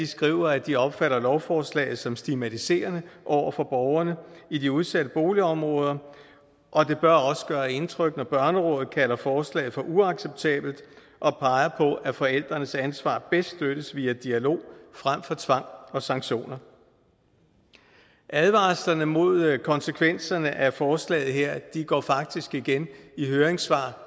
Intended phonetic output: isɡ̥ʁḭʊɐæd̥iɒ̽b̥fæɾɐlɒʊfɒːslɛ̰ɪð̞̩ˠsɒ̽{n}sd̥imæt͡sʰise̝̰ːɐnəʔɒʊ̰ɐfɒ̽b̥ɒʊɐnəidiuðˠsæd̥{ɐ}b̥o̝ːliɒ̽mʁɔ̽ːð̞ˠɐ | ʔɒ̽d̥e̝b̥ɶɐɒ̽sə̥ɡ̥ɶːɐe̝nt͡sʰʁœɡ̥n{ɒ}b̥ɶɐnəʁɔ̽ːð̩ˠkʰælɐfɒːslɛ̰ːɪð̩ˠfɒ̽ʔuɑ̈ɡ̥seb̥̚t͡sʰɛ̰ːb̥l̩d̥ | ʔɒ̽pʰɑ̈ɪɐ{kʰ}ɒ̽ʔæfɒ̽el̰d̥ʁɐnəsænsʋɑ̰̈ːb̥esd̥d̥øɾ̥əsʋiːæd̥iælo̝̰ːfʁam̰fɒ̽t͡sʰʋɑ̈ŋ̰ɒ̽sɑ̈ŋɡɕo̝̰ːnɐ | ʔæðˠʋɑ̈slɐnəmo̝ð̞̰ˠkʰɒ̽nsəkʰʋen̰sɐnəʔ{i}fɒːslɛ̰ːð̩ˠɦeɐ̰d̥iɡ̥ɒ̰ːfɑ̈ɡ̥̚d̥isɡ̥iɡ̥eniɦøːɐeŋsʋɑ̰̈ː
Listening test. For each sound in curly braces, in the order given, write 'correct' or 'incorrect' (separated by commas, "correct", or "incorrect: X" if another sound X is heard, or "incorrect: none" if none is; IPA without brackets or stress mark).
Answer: incorrect: m, incorrect: ə, correct, incorrect: pʰ, incorrect: æ